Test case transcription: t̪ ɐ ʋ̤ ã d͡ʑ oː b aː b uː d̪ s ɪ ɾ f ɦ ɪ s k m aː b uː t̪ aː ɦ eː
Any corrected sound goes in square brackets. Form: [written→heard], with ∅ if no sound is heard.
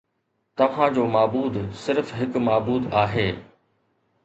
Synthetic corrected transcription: t̪ ɐ ʋ̤ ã d͡ʑ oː [b→m] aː b uː d̪ s ɪ ɾ f ɦ ɪ [s→∅] k m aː b uː [t̪→d̪] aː ɦ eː